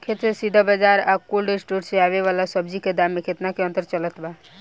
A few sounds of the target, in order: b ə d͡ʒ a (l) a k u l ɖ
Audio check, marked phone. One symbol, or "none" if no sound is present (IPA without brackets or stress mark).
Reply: ɾ